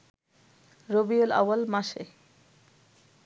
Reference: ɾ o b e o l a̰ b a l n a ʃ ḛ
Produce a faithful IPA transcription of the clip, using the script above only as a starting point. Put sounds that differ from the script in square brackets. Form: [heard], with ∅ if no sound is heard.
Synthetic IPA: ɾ o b [i] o l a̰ [w] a l [m] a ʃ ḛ